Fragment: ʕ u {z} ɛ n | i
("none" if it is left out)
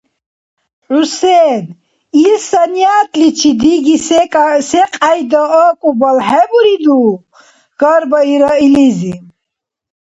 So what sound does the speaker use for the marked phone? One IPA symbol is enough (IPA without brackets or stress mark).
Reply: s